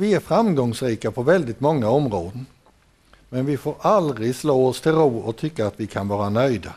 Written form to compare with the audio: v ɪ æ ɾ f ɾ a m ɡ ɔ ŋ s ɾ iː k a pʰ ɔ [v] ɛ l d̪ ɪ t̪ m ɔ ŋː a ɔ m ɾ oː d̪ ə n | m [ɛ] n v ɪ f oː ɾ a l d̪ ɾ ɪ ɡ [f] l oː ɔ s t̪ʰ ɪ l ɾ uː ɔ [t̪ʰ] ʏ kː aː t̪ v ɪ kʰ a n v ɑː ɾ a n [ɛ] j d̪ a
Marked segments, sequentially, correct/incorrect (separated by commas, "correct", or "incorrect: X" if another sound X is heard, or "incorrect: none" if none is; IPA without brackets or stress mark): correct, correct, incorrect: s, correct, incorrect: œ